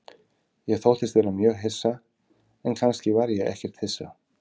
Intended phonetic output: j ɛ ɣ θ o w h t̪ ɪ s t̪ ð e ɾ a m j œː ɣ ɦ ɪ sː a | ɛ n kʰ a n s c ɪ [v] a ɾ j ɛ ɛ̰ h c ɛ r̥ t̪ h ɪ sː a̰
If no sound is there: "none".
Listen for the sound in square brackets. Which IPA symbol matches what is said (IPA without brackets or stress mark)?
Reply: v